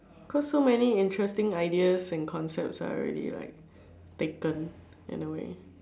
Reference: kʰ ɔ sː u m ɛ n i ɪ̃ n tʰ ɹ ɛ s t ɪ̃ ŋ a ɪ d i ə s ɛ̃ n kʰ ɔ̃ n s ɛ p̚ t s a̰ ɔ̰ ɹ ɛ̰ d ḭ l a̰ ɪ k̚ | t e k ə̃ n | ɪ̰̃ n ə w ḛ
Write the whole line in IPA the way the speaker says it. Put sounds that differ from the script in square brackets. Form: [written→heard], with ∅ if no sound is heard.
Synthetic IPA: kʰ ɔ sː [u→o] m ɛ n i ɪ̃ n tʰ ɹ ɛ s t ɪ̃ ŋ a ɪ d i ə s ɛ̃ n kʰ ɔ̃ n s ɛ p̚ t s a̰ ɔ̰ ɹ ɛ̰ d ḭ l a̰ ɪ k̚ | t e k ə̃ n | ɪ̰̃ n ə w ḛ

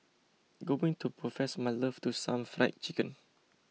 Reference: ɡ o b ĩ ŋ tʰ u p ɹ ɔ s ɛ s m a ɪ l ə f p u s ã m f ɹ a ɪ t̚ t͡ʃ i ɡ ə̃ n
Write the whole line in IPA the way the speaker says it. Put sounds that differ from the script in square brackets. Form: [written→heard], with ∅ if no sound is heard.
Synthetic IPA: ɡ o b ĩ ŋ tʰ u p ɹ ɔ [s→f] ɛ s m a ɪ l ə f [p→t] u s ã m f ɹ a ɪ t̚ t͡ʃ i [ɡ→k] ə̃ n

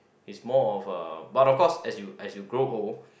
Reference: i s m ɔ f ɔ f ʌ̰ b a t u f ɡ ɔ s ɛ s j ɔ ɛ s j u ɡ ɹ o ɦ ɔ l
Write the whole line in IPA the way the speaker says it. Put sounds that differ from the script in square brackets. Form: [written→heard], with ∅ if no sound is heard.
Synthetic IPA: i s m ɔ [f→∅] ɔ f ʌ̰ b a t [u→ɔ] f [ɡ→k] ɔ s ɛ s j [ɔ→u] ɛ s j u ɡ ɹ o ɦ [ɔ→o] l

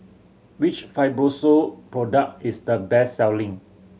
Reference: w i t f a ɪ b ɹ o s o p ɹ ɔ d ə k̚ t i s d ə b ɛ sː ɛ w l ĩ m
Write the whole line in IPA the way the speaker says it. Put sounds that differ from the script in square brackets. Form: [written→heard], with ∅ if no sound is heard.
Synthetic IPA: w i [t→t͡ʃ] f a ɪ b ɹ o s o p ɹ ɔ d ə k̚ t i s d ə b ɛ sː ɛ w l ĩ [m→ŋ]

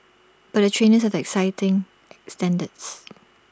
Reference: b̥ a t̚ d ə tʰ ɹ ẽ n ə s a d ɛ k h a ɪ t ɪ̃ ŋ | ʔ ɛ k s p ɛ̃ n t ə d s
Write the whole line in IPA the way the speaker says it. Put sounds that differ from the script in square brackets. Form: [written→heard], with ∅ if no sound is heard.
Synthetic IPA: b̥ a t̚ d ə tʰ ɹ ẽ n ə s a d ɛ k [h→s] a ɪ t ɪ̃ ŋ | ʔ ɛ k s [p→t] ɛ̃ n [t→d] ə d s

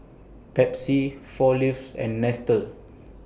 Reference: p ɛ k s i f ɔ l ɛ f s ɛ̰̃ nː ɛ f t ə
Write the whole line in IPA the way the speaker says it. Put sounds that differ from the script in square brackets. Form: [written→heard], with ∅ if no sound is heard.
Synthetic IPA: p ɛ [k→p] s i f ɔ l [ɛ→i] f s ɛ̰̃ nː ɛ [f→s] t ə

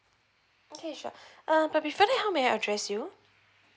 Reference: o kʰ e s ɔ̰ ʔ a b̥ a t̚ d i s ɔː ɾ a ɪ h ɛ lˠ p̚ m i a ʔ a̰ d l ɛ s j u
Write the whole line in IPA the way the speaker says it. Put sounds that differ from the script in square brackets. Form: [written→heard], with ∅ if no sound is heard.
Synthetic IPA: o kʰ e [s→ʃ] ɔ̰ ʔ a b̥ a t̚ [d→b] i [s→f] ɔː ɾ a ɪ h ɛ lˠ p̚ m i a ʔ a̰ d [l→ɹ] ɛ s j u

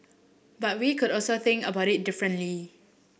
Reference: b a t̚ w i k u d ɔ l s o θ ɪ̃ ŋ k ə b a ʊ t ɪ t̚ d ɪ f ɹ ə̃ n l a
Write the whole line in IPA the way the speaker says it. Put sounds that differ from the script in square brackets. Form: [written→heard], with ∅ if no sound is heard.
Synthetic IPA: b a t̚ w i k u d ɔ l s o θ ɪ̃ ŋ k ə b a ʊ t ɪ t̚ d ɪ f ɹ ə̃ n l [a→i]

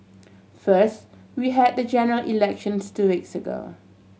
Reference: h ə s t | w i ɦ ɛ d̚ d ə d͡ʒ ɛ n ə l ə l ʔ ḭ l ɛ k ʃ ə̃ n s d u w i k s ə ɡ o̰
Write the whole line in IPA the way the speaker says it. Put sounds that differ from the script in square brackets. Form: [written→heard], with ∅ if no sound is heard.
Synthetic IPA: [h→f] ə s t | w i ɦ ɛ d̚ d ə d͡ʒ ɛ n ə [l→ɹ] ə l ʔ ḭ l ɛ k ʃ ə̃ n s [d→t] u w i k s ə ɡ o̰

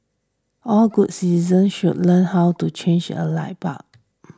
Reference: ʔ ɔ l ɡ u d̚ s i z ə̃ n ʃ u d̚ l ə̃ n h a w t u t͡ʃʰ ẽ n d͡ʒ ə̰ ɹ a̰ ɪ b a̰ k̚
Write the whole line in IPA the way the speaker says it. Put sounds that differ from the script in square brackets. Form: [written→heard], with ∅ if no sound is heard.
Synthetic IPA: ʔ ɔ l ɡ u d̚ s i z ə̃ n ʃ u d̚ l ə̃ n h a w t u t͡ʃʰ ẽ n d͡ʒ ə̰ [ɹ→l] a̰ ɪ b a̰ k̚

